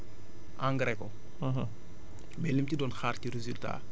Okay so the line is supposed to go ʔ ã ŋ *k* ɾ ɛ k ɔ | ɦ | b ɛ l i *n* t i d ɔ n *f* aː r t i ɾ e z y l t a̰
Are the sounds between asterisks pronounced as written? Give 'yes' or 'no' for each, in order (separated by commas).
no, no, no